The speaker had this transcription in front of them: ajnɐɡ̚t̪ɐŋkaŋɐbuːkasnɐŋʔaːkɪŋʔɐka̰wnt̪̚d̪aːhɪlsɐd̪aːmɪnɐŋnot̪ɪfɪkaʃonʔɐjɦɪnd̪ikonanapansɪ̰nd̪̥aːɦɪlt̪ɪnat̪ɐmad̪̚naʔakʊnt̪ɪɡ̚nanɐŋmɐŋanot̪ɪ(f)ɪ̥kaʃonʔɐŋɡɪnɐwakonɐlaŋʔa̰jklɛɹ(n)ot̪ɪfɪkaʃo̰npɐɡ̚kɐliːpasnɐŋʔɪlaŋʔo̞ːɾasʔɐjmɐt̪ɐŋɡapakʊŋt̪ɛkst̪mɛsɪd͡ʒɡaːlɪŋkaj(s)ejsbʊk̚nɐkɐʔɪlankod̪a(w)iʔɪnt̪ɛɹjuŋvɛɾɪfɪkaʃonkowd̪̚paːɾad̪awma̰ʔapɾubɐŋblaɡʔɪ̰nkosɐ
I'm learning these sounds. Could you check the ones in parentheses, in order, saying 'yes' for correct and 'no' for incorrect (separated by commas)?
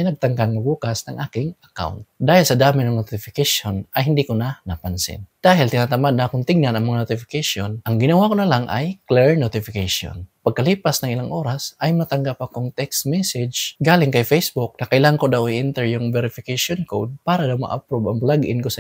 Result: yes, yes, no, yes